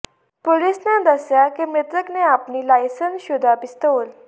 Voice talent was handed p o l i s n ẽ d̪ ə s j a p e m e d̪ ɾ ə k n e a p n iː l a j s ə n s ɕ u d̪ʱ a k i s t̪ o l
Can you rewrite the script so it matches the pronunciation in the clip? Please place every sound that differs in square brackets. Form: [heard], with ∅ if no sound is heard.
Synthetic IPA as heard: p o l i s n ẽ d̪ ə s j a [k] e m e [t̪] ɾ ə k n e a p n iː l a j s ə n s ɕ u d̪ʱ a [p] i s t̪ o l